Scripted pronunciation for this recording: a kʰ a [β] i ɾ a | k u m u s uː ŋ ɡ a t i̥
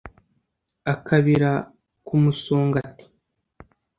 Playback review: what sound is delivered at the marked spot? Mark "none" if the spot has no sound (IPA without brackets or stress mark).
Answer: β